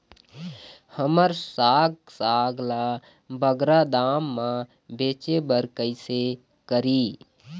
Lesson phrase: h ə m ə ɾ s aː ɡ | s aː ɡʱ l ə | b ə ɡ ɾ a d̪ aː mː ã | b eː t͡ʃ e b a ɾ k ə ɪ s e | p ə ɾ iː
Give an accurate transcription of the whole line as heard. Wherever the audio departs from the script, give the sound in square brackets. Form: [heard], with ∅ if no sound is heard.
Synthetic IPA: h ə m ə ɾ s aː ɡ | s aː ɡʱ l [a] | b ə ɡ ɾ a d̪ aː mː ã | b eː t͡ʃ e b [ə] ɾ k ə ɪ s e | [k] ə ɾ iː